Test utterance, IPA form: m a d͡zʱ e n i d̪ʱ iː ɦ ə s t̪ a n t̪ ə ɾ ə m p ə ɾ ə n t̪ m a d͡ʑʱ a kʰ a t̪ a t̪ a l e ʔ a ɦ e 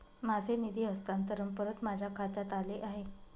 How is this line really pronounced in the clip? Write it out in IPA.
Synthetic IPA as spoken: m a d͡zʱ e n i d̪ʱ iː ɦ ə s t̪ a n t̪ ə ɾ ə m p ə ɾ ə t̪ m a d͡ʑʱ a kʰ a t̪ a t̪ a l e ʔ a ɦ e